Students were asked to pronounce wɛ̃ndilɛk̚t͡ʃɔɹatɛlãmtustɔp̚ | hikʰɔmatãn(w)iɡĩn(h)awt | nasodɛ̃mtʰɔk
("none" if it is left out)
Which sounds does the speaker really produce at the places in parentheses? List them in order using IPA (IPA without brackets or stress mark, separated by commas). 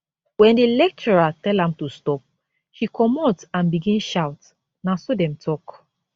b, ʃ